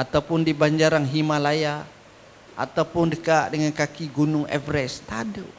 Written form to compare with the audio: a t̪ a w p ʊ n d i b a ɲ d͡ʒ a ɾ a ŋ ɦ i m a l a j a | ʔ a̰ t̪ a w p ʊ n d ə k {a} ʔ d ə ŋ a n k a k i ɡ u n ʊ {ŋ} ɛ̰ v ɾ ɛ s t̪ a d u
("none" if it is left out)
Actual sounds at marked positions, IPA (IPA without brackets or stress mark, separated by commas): a, ŋ